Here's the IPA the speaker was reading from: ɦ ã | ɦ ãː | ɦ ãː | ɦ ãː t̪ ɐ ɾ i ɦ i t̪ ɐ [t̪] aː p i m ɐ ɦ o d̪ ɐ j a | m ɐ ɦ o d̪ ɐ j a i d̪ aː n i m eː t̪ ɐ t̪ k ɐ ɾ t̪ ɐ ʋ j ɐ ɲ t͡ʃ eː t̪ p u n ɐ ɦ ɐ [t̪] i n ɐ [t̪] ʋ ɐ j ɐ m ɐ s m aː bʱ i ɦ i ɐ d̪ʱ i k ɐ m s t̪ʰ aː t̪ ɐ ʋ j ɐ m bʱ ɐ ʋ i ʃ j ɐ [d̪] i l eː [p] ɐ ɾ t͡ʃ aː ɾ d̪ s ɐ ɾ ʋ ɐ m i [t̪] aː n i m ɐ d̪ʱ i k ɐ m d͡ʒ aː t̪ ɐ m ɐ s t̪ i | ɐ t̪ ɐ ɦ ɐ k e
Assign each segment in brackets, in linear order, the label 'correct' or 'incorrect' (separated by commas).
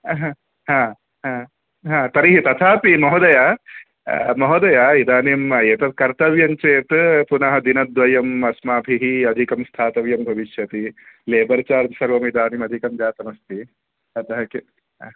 incorrect, incorrect, incorrect, incorrect, incorrect, incorrect